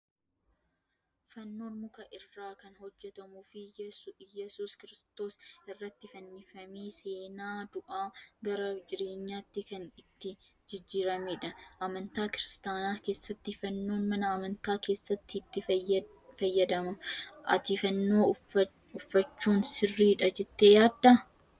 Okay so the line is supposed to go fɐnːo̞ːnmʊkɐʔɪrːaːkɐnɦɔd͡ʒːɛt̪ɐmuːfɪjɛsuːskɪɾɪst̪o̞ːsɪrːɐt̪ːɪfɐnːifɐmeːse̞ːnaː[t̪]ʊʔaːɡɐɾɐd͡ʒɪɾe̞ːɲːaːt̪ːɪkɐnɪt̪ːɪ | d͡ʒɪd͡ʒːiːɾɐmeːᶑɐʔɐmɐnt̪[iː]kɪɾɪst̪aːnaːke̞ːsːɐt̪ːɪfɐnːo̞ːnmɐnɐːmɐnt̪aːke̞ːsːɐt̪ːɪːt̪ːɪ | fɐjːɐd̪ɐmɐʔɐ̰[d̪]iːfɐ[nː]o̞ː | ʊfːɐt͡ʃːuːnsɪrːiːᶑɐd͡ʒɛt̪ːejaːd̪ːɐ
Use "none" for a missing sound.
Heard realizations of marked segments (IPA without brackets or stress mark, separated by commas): d̪, aː, t̪, nː